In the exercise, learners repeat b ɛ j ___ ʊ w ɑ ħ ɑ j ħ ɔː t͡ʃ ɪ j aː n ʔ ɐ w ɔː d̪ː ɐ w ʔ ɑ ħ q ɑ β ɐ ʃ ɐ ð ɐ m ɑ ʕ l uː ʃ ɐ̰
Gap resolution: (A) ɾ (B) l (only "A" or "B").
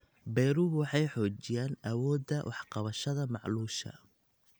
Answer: A